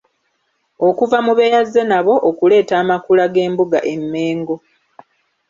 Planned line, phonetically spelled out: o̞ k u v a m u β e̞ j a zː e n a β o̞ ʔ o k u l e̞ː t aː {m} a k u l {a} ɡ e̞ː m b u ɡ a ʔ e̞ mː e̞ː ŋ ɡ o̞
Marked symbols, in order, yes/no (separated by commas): yes, yes